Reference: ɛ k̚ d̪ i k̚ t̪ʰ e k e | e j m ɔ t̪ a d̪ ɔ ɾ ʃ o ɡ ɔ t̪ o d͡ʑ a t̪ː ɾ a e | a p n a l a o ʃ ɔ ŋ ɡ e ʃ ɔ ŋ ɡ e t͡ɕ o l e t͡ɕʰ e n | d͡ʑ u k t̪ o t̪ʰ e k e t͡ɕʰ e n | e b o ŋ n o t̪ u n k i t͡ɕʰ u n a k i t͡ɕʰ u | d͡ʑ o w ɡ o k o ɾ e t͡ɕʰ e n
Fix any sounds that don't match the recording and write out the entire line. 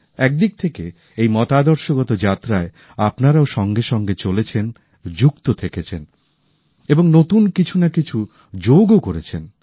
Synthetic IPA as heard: ɛ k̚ d̪ i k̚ t̪ʰ e k e | e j m ɔ t̪ a d̪ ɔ ɾ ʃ o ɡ ɔ t̪ o d͡ʑ a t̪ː ɾ a e | a p n a ɾ a o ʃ ɔ ŋ ɡ e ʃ ɔ ŋ ɡ e t͡ɕ o l e t͡ɕʰ e n | d͡ʑ u k t̪ o t̪ʰ e k e t͡ɕʰ e n | e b o ŋ n o t̪ u n k i t͡ɕʰ u n a k i t͡ɕʰ u | d͡ʑ o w ɡ o k o ɾ e t͡ɕʰ e n